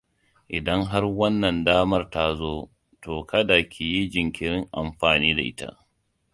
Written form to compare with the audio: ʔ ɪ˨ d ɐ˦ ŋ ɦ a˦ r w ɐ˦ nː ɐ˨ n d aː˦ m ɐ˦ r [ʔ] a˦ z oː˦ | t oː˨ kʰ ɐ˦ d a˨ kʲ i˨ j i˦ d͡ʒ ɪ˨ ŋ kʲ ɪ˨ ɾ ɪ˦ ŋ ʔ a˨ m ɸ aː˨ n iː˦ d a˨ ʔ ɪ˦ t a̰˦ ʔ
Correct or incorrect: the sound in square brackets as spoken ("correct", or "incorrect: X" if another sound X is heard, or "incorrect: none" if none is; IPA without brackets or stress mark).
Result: incorrect: t